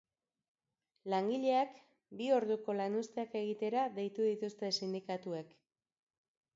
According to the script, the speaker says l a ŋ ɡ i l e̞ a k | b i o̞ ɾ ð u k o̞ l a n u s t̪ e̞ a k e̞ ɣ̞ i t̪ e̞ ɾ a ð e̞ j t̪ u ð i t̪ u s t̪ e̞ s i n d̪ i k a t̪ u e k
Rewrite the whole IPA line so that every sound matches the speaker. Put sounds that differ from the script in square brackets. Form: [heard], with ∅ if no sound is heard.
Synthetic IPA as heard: l a ŋ ɡ i [ʎ] e̞ a k | b i o̞ ɾ ð u k o̞ l a n u s t̪ e̞ a k e̞ ɣ̞ i t̪ e̞ ɾ a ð e̞ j t̪ u ð i t̪ u s t̪ e̞ s i n d̪ i k a t̪ u e k